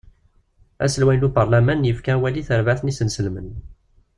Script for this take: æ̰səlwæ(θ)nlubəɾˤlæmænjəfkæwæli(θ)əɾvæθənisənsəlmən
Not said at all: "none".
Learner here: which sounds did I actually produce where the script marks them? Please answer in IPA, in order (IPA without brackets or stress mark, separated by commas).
none, θ